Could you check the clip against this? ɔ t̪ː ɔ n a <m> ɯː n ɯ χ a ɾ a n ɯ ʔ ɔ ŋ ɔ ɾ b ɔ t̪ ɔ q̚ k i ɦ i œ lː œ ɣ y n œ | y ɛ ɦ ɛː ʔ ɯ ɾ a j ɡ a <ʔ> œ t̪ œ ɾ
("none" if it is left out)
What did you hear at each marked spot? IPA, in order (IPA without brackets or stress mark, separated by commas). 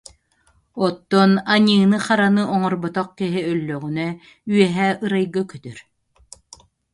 ɲ, k